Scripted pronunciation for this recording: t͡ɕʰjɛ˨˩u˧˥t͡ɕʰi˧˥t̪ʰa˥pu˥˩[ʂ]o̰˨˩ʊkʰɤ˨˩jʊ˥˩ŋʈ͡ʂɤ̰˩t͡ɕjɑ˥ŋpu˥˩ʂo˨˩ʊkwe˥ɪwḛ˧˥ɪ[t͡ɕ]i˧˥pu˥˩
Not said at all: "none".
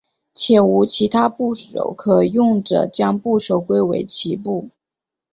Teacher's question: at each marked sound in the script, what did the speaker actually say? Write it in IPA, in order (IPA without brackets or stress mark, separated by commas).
ʂ, t͡ɕʰ